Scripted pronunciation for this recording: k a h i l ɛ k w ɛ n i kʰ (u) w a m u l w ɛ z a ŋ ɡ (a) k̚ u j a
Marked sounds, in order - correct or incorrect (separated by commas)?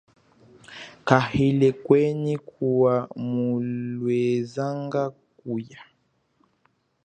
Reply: correct, correct